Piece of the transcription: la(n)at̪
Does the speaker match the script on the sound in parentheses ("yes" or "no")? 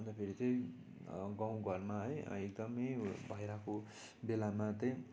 no